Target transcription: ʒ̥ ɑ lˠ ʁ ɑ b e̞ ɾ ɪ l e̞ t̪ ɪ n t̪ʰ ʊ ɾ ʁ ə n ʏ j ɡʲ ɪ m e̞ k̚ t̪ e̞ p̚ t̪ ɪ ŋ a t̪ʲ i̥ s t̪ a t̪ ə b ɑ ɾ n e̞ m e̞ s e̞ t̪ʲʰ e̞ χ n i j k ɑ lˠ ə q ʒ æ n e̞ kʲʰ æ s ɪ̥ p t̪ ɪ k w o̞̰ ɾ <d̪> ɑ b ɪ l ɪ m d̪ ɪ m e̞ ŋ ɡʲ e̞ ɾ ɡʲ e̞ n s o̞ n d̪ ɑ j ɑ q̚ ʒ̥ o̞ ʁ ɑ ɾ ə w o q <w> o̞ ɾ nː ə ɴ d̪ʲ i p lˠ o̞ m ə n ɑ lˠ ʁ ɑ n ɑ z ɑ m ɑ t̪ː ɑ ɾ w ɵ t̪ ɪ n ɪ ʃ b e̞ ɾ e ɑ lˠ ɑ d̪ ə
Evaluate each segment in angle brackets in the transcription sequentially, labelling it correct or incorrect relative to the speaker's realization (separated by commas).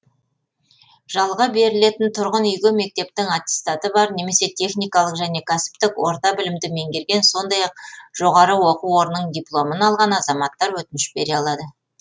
incorrect, incorrect